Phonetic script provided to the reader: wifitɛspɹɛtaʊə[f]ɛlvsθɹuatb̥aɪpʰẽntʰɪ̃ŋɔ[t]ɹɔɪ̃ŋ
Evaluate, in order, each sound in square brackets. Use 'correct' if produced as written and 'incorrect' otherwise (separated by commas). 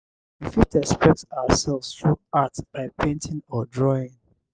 incorrect, incorrect